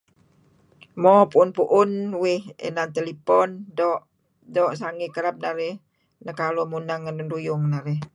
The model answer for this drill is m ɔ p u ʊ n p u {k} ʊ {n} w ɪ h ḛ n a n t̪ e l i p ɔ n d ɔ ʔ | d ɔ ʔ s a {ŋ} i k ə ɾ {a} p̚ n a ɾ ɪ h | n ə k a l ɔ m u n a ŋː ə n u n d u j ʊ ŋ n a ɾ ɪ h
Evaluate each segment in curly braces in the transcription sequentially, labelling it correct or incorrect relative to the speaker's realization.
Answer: incorrect, correct, correct, correct

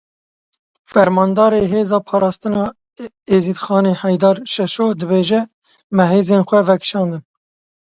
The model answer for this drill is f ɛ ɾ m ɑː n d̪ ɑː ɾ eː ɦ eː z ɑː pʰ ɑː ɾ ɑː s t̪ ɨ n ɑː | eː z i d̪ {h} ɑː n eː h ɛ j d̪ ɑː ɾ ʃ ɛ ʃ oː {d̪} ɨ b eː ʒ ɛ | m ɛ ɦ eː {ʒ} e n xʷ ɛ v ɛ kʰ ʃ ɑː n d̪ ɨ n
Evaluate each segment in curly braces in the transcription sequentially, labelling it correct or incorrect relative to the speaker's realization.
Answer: incorrect, correct, incorrect

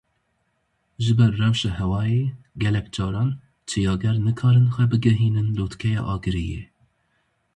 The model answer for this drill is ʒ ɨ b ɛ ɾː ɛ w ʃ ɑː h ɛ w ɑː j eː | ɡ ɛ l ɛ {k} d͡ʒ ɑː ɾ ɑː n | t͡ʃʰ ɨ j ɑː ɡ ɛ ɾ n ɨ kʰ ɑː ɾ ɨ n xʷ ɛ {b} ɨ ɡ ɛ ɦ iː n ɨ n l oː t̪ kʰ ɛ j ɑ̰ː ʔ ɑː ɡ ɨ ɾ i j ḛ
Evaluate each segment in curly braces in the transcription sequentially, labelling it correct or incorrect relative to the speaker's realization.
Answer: correct, correct

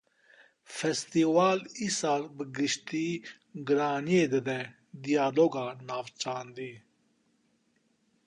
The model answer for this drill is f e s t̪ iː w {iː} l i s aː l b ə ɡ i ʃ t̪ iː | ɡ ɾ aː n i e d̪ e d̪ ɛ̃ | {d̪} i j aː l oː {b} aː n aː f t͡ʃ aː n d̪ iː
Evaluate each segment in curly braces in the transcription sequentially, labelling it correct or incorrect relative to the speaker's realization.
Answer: incorrect, correct, incorrect

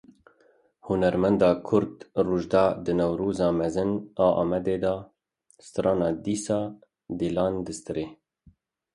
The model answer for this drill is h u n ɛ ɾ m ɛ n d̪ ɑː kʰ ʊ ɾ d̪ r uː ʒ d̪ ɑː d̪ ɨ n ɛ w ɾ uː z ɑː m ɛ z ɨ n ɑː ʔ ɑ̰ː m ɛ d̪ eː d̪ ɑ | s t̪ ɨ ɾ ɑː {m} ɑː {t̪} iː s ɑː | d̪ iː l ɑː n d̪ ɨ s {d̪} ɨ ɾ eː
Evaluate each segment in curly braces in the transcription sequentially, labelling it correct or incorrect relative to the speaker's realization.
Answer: incorrect, incorrect, incorrect

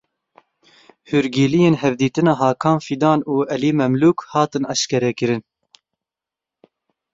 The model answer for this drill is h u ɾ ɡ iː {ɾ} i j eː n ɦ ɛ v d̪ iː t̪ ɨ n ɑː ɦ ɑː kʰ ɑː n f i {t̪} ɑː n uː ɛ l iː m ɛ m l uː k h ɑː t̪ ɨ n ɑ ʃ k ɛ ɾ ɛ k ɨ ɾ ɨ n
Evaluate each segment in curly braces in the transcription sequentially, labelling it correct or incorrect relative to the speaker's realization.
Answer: incorrect, incorrect

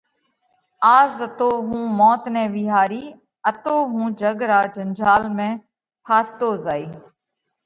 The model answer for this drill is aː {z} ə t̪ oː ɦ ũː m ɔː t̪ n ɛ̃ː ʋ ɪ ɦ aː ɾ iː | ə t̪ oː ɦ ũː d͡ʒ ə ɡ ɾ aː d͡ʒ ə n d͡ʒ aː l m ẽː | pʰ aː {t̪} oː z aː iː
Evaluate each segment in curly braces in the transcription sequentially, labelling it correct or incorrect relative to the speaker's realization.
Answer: correct, correct

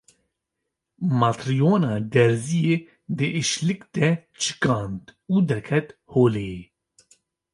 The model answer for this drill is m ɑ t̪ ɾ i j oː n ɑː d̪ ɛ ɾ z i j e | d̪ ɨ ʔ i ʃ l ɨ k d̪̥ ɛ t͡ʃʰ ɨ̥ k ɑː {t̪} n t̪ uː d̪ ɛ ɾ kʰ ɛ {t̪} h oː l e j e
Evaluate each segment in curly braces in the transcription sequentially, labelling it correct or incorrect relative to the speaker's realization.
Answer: incorrect, correct

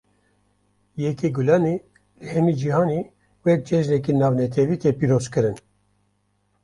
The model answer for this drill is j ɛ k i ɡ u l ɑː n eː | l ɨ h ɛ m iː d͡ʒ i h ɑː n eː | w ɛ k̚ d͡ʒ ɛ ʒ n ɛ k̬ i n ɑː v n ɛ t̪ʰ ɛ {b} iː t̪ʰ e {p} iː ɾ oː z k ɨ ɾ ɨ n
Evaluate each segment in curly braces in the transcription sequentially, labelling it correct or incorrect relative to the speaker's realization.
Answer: incorrect, correct

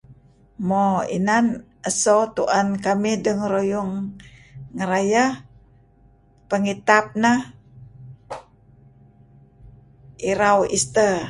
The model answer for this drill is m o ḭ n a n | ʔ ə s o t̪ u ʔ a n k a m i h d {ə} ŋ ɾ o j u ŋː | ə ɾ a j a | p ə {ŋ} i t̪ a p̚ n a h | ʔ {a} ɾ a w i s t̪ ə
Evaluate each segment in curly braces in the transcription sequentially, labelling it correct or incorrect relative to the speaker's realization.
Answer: correct, correct, incorrect

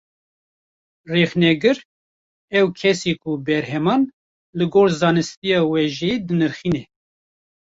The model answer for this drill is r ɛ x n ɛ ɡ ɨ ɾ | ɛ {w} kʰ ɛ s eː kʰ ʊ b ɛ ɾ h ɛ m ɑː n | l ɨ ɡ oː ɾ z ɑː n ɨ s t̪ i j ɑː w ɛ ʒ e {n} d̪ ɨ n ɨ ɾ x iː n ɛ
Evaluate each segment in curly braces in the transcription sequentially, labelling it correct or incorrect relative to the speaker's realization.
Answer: correct, incorrect

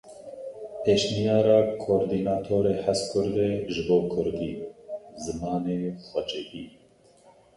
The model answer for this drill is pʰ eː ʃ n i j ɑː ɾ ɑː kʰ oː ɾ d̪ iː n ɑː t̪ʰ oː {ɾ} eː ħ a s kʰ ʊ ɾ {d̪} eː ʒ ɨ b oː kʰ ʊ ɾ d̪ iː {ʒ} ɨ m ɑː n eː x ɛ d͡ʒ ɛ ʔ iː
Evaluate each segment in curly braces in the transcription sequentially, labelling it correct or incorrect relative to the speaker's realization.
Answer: correct, correct, incorrect

